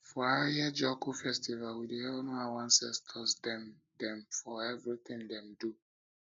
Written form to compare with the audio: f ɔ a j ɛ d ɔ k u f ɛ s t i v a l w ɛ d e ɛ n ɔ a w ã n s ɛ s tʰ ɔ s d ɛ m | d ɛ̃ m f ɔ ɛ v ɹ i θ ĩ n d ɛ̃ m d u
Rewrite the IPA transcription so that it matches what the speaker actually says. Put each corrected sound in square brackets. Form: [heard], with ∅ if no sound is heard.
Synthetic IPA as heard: f ɔ a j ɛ [d͡ʒ] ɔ k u f ɛ s t i v a l w [i] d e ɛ n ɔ a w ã n s ɛ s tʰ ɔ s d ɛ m | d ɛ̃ m f ɔ ɛ v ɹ i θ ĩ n d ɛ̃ m d u